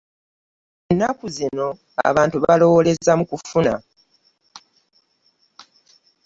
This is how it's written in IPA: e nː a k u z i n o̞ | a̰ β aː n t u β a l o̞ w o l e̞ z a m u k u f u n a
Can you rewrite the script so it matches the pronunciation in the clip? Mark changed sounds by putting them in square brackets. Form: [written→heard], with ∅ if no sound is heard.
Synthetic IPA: e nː a k u z i n o̞ | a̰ β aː n t u β a l o̞ w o l e̞ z a m u k u f u n a

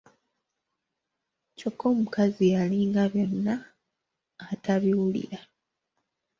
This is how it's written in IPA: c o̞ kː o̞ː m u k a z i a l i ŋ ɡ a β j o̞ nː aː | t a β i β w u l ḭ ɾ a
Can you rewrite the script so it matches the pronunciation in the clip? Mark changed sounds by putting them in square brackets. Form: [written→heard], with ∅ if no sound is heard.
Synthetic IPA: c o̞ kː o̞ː m u k a z i a l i ŋ ɡ a β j o̞ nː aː | t a β i [β→∅] w u l ḭ ɾ a

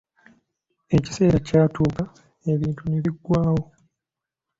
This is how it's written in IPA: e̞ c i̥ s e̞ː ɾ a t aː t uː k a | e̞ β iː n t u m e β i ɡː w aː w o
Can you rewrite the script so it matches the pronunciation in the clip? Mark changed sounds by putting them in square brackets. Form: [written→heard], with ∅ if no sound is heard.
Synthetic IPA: e̞ c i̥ s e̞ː ɾ a [t→c] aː t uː k a | e̞ β iː n t u [m→n] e β i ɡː w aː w o

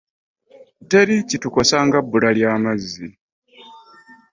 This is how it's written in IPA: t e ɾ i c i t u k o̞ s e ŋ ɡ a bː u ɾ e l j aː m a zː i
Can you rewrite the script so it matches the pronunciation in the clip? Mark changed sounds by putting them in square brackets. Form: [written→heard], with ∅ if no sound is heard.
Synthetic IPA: t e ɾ i c i t u k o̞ s [e→a] ŋ ɡ a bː u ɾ [e→a] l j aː m a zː i

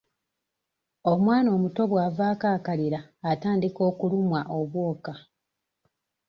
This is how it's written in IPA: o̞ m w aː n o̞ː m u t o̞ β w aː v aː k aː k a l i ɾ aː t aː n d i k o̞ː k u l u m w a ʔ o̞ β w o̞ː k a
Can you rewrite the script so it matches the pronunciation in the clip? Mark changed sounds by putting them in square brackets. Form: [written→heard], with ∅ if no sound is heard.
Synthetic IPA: o̞ m w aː n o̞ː m u t o̞ β w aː v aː k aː k a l i ɾ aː t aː n d i k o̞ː k u l u m w a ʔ o̞ β w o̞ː k a

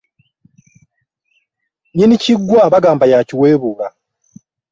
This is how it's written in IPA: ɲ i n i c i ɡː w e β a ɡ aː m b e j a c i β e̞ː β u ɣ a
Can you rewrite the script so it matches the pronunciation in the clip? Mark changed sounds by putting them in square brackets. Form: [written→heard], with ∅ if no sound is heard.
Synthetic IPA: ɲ i n i c i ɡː w [e→a] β a ɡ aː m b [e→a] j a c i [β→w] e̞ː β u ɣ a

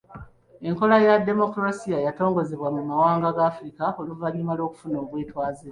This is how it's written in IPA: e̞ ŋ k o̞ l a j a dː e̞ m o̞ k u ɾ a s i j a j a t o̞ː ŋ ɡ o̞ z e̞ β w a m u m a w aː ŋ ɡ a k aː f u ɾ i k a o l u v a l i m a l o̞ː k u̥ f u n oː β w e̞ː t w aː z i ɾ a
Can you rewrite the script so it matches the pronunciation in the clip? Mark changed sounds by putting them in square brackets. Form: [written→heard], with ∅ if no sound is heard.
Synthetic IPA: e̞ ŋ k o̞ l a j a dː e̞ m o̞ k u ɾ a s i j a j a t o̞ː ŋ ɡ o̞ z e̞ β w a m u m a w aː ŋ ɡ a [k→ɡ] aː f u ɾ i k a o l u v a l i m a l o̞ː k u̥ f u n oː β w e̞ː t w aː z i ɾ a

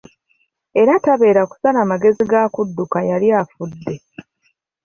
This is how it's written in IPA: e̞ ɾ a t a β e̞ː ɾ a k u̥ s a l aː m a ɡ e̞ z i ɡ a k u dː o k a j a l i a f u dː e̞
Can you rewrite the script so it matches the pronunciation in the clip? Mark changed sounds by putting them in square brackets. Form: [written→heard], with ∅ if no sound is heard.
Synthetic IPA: e̞ ɾ a t a β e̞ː ɾ a k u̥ s a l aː m a ɡ e̞ z i ɡ a k u dː [o→u] k a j a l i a f u dː e̞

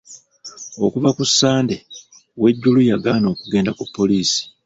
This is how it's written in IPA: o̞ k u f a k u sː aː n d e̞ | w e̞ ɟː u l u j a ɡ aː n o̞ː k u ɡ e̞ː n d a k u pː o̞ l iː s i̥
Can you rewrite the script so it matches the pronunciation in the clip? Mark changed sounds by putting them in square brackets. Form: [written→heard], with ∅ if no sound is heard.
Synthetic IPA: o̞ k u [f→v] a k u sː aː n d e̞ | w e̞ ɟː u l u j a ɡ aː n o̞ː k u ɡ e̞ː n d a k u pː o̞ l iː s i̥

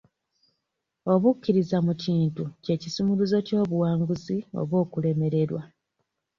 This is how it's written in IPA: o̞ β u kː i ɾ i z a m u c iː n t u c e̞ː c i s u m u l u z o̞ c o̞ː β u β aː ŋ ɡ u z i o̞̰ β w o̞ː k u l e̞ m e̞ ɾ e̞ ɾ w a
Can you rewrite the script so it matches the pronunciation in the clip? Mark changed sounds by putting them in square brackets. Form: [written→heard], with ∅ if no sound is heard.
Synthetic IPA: o̞ β u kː i ɾ i z a m u c iː n t u c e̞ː c i s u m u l u z o̞ c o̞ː β u [β→w] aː ŋ ɡ u z i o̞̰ β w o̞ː k u l e̞ m e̞ ɾ e̞ ɾ w a

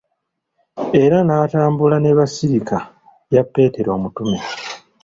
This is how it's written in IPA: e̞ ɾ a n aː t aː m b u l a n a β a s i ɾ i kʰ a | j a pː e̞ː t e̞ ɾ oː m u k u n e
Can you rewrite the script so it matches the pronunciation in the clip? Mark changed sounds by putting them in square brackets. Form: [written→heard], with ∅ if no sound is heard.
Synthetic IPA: e̞ ɾ a n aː t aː m b u l a n [a→e] β a s i ɾ i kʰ a | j a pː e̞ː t e̞ ɾ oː m u [k→t] u [n→m] e

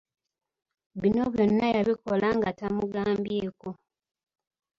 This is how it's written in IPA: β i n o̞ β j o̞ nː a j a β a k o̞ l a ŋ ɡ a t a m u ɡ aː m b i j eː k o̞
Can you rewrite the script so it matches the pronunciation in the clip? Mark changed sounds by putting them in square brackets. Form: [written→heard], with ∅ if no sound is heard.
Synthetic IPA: β i n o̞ β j o̞ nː a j a β [a→i] k o̞ l a ŋ ɡ a t a m u ɡ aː m b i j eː k o̞

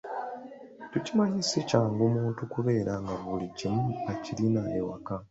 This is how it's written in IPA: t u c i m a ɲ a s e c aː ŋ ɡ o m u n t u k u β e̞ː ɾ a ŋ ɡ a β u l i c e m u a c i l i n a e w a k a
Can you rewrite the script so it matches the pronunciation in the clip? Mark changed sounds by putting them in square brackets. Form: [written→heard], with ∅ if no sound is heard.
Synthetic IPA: t u c i m a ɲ [a→i] s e c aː ŋ ɡ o m [u→uː] n t u k u β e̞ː ɾ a ŋ ɡ a β u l i [c→ɟ] e m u a c i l i n a e w a k a

